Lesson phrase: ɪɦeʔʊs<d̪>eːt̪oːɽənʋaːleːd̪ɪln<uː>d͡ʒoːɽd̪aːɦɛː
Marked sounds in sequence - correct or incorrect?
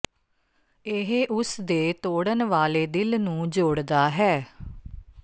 correct, incorrect

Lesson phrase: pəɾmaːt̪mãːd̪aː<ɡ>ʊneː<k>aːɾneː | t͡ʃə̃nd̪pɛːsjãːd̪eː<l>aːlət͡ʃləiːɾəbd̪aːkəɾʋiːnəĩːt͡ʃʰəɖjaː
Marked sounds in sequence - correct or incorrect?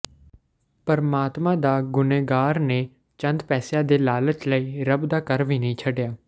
correct, incorrect, correct

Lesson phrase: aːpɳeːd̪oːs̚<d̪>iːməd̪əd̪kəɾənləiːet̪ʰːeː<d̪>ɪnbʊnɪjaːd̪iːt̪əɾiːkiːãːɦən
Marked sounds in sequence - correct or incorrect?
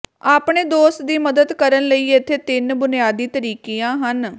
correct, incorrect

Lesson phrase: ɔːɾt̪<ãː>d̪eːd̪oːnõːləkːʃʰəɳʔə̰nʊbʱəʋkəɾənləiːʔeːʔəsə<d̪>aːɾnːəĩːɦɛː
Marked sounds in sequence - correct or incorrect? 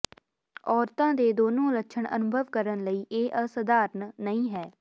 correct, correct

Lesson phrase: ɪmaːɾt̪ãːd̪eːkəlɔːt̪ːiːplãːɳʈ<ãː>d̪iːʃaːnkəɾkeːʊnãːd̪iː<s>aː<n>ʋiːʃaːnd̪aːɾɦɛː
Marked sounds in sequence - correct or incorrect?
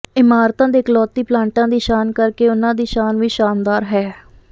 correct, incorrect, correct

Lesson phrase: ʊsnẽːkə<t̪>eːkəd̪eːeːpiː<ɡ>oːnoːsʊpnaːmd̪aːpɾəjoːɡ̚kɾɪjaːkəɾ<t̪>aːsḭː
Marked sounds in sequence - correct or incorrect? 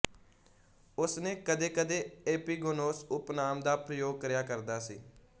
incorrect, correct, incorrect

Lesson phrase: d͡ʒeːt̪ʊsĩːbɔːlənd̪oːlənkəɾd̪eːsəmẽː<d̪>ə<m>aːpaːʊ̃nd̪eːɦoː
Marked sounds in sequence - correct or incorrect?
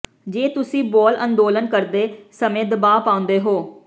correct, incorrect

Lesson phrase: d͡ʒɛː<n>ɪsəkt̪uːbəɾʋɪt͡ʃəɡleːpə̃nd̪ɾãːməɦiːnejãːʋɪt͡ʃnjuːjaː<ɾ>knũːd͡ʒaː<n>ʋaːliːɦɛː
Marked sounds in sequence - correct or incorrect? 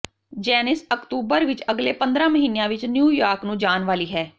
correct, correct, correct

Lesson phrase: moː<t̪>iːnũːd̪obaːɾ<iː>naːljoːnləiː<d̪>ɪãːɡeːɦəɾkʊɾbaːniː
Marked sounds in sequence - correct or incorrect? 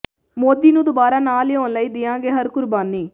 incorrect, incorrect, correct

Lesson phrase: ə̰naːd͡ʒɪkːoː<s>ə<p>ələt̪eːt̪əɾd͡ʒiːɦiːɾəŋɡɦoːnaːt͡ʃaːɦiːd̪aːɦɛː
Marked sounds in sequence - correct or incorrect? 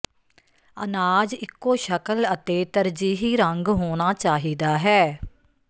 incorrect, incorrect

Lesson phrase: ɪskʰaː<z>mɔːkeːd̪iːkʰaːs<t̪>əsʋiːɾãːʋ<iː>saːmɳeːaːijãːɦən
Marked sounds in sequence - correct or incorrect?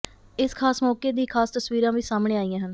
incorrect, correct, correct

